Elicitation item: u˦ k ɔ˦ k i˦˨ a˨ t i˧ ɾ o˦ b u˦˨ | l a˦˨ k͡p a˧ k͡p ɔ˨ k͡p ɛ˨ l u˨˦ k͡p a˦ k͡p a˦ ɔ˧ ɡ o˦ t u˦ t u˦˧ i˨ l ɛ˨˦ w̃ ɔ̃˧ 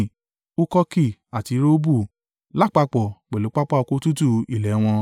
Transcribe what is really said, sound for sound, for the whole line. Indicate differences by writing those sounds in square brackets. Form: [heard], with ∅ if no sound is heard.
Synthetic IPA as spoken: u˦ k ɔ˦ k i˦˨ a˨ t i˧ ɾ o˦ b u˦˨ | l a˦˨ k͡p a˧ k͡p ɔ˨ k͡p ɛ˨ l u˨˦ k͡p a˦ k͡p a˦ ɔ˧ [k] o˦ t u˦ t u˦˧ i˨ l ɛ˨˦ w̃ ɔ̃˧